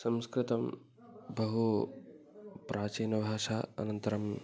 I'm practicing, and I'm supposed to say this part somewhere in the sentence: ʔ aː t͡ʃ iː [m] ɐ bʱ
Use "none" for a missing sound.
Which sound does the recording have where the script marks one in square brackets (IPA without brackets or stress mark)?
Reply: n